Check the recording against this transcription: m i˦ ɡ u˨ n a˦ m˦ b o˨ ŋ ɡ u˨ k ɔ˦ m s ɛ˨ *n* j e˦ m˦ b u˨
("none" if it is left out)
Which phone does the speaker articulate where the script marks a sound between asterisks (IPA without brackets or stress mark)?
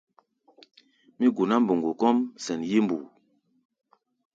n